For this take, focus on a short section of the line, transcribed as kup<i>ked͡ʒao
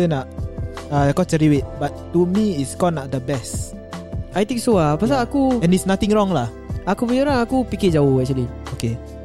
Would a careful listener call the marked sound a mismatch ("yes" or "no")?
no